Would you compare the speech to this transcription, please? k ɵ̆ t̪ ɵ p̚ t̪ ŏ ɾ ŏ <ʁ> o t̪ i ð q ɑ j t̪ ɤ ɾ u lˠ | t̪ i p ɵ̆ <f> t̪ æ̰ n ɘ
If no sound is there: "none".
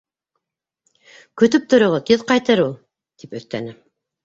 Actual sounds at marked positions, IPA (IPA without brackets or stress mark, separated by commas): ʁ, θ